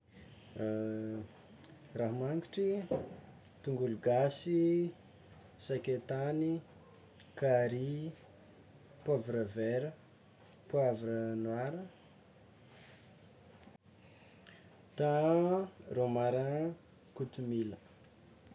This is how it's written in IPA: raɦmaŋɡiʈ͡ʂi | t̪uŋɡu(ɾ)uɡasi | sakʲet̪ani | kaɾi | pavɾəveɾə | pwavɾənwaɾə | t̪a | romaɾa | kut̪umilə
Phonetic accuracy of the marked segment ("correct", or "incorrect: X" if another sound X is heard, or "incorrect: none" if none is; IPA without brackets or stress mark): incorrect: l